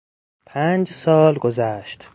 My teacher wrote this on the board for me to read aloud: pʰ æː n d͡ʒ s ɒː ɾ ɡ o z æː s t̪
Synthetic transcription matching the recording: pʰ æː n d͡ʒ s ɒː l ɡ o z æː ʃ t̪